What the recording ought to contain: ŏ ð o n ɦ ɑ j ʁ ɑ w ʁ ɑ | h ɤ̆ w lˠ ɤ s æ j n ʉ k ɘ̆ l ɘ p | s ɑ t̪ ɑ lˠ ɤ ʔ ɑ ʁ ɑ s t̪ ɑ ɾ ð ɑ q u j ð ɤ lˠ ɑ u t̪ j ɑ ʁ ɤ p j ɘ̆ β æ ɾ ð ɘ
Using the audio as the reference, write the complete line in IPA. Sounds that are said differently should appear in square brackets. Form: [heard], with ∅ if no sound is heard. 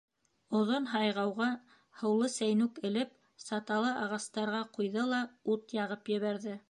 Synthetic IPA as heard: ŏ ð o n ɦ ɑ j ʁ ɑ w ʁ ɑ | h ɤ̆ w lˠ ɤ s æ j n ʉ k ɘ̆ l ɘ p | s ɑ t̪ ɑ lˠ ɤ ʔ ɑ ʁ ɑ s t̪ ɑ ɾ [ʁ] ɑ q u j ð ɤ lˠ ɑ u t̪ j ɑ ʁ ɤ p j ɘ̆ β æ ɾ ð ɘ